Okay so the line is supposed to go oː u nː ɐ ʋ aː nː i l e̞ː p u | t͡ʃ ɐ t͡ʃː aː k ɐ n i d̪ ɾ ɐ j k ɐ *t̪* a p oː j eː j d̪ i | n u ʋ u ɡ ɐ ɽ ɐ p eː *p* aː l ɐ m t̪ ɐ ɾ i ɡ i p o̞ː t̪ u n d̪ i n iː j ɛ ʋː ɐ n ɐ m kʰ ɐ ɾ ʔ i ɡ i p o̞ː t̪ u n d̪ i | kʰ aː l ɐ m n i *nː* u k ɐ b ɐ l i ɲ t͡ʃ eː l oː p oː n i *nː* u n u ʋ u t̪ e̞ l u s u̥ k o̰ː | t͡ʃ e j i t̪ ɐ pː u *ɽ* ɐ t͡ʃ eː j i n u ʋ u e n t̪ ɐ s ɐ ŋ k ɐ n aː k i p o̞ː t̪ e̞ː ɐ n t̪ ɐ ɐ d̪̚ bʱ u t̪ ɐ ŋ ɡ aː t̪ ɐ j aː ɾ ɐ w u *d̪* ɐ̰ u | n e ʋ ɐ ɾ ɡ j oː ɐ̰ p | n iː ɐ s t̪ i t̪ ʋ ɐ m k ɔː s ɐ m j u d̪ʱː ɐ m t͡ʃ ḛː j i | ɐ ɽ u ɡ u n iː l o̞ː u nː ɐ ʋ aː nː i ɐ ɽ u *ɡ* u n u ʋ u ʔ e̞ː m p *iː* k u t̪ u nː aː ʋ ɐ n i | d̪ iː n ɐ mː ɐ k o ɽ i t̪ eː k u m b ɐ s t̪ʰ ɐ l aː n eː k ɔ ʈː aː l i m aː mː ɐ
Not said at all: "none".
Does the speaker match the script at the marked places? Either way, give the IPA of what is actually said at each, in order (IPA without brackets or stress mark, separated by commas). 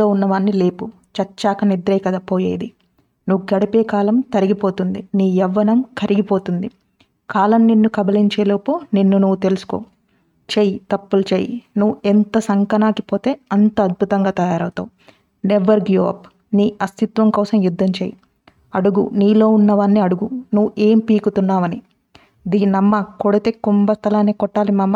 d̪, k, nː, nː, l, t̪, ɡ, iː